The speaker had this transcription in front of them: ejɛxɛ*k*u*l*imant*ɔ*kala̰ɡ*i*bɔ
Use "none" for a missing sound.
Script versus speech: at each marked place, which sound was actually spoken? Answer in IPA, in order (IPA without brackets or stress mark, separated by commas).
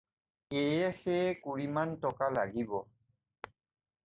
k, ɹ, ɔ, i